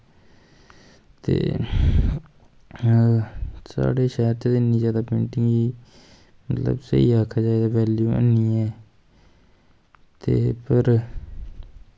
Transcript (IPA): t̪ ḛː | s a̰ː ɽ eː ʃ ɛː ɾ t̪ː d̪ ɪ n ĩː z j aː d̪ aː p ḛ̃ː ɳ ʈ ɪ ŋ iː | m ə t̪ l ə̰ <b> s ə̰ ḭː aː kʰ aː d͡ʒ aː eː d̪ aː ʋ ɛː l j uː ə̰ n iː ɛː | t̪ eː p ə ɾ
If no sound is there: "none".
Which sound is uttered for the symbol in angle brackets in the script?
b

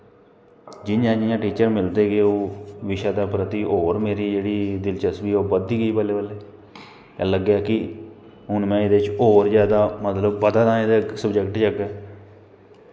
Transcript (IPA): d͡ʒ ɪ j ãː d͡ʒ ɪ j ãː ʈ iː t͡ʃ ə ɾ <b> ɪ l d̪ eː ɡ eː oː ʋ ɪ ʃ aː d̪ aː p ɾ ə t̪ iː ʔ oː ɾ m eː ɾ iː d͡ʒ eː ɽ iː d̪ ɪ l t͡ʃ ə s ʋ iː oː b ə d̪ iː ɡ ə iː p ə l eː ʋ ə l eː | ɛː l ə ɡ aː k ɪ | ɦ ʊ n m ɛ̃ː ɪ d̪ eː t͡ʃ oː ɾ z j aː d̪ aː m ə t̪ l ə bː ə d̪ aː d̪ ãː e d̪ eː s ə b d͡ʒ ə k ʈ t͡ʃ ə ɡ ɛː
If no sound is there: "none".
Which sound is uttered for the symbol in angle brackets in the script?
m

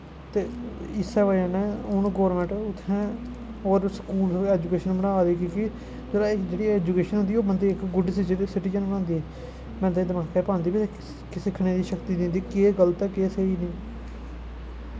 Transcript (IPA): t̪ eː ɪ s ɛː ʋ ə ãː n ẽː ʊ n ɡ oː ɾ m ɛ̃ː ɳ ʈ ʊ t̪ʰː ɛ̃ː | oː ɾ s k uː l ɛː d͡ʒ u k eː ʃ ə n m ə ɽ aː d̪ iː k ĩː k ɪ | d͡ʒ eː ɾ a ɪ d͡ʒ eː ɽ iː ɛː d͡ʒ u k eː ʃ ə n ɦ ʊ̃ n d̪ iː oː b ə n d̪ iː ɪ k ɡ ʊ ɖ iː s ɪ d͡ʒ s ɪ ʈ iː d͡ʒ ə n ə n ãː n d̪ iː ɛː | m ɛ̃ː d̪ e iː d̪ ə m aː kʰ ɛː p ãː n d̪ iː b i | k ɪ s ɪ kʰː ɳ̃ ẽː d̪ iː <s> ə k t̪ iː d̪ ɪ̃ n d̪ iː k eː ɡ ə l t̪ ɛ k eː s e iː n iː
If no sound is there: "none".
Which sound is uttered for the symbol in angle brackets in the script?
ʃ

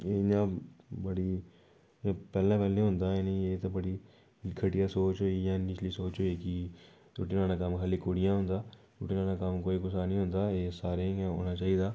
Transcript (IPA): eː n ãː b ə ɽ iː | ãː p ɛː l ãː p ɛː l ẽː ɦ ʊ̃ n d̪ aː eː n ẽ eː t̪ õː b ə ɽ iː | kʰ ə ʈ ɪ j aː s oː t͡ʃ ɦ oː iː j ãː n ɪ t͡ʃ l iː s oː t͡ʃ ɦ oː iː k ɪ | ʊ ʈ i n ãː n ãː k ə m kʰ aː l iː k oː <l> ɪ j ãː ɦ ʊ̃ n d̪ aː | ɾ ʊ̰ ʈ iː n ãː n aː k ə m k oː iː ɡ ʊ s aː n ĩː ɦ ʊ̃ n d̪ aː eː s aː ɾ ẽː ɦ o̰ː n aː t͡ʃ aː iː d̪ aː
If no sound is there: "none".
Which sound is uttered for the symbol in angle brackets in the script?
ɽ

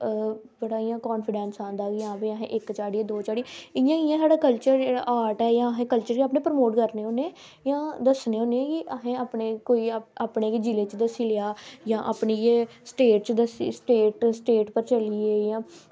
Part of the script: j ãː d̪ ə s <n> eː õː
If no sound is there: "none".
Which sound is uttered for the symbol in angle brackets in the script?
n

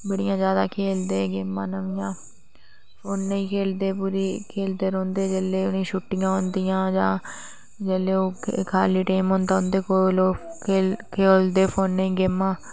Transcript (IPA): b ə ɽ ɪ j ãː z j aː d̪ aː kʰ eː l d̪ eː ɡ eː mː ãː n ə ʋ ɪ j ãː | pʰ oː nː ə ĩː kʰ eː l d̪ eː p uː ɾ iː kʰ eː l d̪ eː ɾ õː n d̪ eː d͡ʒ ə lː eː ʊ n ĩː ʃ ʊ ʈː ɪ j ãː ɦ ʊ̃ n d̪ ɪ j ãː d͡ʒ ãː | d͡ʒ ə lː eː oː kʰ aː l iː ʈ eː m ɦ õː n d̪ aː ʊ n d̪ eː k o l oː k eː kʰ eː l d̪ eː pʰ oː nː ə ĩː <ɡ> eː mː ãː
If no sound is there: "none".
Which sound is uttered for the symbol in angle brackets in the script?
ɡ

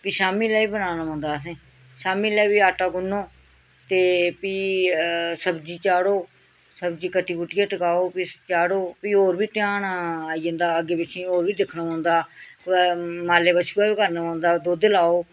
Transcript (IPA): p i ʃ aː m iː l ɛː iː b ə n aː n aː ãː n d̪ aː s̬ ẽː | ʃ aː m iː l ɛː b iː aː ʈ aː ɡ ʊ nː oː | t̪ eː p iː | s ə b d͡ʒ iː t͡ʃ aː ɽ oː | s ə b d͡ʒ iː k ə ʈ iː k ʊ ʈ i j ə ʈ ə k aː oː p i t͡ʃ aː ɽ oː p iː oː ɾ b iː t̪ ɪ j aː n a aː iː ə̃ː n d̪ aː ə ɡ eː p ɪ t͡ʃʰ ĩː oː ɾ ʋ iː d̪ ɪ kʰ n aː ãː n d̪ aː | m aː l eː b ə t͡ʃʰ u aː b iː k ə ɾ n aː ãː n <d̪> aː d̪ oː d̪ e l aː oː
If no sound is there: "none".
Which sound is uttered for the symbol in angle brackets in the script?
d̪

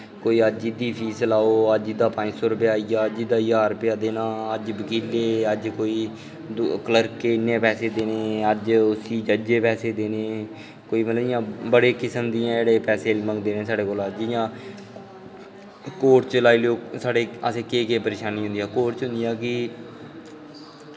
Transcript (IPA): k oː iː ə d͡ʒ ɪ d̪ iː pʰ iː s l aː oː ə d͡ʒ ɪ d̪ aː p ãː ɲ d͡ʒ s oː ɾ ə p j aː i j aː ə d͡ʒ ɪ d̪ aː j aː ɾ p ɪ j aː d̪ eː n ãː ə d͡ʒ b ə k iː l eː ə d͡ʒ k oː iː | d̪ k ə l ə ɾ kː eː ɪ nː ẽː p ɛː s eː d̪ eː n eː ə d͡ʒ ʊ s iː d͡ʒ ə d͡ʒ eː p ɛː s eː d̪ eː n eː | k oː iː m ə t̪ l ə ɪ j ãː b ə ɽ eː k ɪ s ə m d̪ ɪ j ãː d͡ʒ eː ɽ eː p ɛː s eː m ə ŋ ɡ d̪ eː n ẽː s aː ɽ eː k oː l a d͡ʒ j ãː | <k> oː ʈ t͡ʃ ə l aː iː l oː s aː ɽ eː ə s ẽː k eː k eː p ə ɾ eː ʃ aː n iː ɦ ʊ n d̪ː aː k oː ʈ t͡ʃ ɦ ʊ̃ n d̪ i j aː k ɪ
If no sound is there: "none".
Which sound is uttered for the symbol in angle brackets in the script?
k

